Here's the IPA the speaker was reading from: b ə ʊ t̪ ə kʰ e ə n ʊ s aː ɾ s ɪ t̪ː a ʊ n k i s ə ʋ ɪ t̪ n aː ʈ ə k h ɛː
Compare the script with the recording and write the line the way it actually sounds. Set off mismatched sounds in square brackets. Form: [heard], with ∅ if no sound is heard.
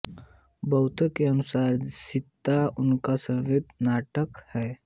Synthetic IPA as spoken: b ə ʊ t̪ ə [k] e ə n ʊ s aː ɾ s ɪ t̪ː a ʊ n k [a] s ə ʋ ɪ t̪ n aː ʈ ə k h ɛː